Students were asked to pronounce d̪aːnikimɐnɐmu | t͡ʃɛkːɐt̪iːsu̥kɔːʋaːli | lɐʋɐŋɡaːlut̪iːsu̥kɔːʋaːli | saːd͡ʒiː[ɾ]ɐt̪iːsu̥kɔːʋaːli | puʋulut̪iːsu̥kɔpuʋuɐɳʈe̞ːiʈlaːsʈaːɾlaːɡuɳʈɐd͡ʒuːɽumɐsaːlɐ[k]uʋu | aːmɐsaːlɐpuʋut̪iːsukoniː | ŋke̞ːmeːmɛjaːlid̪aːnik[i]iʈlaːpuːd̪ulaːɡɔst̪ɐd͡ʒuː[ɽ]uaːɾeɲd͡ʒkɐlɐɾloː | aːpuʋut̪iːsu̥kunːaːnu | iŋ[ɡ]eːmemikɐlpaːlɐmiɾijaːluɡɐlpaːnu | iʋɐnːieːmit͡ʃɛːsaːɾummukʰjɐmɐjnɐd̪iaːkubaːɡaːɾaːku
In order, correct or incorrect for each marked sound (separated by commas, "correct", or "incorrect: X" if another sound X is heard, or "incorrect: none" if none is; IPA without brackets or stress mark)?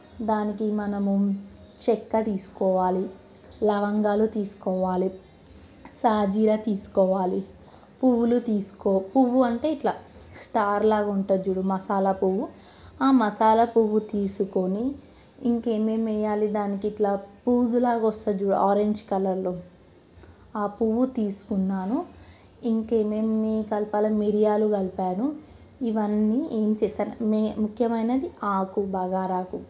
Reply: correct, incorrect: p, correct, correct, incorrect: k